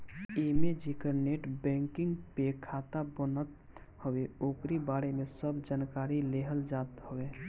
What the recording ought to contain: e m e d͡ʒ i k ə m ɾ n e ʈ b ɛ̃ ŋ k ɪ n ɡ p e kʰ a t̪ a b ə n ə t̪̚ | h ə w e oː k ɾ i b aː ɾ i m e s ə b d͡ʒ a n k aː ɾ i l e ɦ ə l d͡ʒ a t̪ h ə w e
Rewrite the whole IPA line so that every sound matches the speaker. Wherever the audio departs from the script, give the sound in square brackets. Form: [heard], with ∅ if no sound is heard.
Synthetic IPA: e m e d͡ʒ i k ə [∅] ɾ n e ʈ b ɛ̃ ŋ k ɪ [ŋ] ɡ p e kʰ a t̪ a b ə n ə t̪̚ | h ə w e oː k ɾ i b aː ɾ [e] m e s ə b d͡ʒ a n k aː ɾ i l e ɦ ə l d͡ʒ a t̪ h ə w e